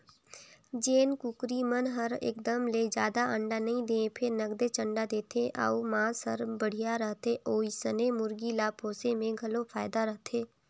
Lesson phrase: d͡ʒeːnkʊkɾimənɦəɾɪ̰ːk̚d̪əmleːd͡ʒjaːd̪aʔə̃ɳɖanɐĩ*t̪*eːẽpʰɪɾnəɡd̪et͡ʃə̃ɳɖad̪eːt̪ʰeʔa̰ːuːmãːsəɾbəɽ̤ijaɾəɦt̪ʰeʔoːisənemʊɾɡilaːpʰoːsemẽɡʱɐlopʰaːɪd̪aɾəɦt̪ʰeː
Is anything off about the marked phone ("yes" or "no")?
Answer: yes